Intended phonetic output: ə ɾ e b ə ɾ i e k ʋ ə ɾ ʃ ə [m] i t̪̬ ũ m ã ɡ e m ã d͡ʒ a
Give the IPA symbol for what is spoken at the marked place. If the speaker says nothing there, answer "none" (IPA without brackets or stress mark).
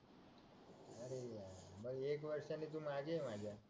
n